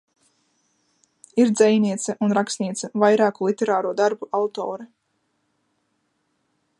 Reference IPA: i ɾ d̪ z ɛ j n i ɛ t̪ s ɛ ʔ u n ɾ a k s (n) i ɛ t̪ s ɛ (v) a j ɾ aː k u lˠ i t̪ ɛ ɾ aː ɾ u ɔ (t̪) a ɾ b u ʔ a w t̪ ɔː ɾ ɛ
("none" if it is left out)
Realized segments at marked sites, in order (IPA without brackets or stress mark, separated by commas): n, v, d̪